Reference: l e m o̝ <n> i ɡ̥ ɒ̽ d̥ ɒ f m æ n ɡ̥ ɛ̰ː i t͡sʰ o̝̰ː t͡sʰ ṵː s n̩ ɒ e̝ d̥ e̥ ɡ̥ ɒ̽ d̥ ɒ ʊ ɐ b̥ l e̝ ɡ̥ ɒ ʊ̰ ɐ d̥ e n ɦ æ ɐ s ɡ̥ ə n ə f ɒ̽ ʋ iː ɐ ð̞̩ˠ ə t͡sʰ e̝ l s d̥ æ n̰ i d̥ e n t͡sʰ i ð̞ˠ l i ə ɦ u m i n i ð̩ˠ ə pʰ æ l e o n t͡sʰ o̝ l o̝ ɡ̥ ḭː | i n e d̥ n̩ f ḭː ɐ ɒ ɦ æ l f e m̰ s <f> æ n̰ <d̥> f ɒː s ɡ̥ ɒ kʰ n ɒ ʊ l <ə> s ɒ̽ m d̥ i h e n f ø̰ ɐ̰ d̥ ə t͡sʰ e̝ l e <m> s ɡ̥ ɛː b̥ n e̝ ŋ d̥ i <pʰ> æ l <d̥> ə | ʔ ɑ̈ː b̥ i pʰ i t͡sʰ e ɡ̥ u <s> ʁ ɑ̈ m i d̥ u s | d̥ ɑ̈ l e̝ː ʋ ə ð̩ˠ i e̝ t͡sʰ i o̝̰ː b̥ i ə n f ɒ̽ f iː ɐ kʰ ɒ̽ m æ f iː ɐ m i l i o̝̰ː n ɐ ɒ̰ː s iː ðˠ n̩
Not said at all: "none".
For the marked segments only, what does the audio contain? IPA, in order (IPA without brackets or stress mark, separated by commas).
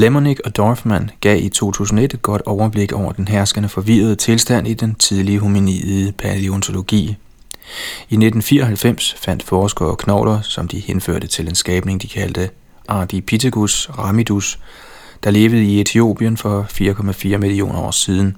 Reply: n, f, d̥, ɐ, n, kʰ, d̥, s